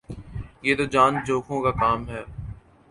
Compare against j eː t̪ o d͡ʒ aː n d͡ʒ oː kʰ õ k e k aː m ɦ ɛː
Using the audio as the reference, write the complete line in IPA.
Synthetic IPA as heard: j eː t̪ o d͡ʒ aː n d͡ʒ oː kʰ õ k a k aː m ɦ ɛː

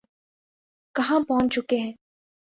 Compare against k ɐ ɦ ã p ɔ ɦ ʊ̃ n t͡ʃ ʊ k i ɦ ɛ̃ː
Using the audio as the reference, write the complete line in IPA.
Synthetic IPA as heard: k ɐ ɦ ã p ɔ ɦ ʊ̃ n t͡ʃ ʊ k e ɦ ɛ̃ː

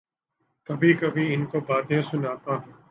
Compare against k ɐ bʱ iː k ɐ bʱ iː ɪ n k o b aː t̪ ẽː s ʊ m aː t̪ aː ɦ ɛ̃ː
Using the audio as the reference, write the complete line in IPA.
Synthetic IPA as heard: k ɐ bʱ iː k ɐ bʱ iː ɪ n k o b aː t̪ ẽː s ʊ n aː t̪ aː ɦ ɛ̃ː

